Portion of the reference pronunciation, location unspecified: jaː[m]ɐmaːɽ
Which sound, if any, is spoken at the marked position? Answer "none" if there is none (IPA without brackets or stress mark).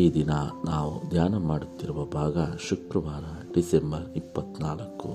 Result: n